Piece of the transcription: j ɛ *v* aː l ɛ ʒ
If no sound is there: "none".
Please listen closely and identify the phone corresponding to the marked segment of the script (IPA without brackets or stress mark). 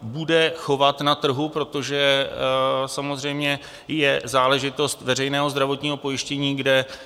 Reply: z